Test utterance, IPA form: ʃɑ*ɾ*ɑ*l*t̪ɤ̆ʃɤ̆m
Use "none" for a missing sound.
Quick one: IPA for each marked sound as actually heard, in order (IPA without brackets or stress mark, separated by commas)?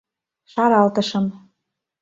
ɾ, l